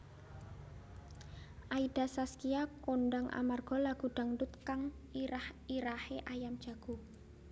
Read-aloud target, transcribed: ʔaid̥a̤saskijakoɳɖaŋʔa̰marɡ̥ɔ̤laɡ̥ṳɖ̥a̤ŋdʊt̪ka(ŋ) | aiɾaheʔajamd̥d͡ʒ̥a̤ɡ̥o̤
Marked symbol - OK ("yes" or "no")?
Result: yes